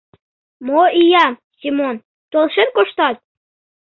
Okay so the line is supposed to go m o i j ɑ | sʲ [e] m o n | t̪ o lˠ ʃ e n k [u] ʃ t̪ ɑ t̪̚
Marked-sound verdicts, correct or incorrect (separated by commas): incorrect, incorrect